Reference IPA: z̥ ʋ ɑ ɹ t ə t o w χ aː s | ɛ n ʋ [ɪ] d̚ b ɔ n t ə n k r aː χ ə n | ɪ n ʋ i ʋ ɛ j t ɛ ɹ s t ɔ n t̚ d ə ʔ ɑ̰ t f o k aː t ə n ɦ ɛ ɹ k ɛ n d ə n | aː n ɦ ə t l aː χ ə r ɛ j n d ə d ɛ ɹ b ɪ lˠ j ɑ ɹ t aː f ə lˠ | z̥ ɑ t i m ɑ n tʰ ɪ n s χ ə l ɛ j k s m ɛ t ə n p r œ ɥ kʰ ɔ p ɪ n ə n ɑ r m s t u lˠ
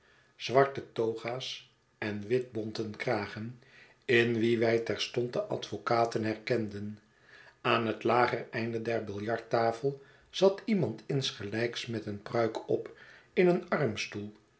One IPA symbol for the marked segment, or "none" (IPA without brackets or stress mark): ɪ